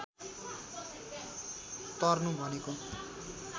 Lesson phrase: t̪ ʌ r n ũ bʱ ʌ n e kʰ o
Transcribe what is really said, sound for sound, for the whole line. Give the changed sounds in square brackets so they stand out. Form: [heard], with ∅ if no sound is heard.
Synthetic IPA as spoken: t̪ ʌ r n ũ bʱ ʌ n e [k] o